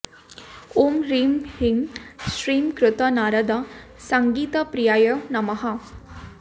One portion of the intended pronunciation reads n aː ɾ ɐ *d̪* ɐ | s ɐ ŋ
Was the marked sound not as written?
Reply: no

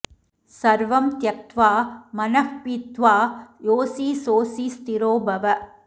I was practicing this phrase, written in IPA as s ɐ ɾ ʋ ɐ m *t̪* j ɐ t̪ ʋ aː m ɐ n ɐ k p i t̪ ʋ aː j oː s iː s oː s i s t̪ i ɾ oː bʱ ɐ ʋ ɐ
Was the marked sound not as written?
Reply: no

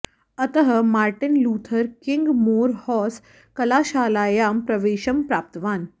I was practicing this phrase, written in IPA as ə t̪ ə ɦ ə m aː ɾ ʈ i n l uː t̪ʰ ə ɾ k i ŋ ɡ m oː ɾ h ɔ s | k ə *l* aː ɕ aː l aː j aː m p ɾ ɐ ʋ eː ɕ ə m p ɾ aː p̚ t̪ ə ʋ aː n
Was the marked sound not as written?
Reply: no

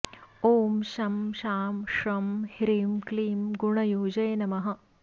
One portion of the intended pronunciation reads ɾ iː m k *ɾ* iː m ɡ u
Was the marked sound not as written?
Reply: yes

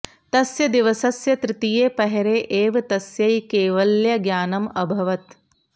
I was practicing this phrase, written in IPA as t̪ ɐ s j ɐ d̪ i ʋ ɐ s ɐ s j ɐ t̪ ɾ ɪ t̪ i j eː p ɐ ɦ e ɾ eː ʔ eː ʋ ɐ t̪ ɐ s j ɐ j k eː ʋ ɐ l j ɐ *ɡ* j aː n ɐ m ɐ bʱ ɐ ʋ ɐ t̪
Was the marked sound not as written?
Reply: no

